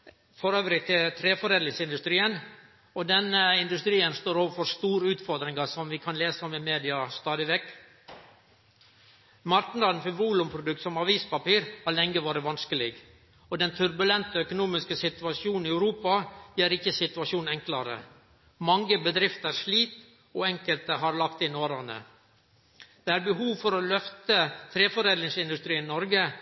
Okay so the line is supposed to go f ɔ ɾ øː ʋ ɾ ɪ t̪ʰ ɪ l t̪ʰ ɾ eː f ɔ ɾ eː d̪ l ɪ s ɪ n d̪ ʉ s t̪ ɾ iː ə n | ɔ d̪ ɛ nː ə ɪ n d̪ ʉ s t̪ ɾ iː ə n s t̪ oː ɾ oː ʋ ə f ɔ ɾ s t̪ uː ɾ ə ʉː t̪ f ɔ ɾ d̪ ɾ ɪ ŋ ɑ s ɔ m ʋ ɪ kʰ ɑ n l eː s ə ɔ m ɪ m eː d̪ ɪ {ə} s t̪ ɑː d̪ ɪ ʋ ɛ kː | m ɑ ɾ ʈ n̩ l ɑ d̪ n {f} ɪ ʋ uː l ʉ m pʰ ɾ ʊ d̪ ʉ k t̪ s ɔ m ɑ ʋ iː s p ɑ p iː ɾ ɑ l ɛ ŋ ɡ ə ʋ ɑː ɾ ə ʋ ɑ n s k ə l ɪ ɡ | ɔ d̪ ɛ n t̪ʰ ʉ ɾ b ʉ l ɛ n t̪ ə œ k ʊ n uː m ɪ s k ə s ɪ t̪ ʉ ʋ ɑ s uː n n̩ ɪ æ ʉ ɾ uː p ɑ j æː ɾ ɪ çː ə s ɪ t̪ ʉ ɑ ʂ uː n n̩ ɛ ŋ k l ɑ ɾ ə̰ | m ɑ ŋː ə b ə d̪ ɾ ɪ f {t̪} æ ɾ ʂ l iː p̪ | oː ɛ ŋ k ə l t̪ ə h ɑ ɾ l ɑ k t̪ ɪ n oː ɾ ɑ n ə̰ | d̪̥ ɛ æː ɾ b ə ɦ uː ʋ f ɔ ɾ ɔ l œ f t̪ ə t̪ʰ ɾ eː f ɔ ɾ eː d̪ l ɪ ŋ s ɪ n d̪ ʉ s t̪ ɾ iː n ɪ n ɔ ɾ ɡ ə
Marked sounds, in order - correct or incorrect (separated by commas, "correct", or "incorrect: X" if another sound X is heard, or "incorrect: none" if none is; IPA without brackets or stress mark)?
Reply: incorrect: ɑ, correct, correct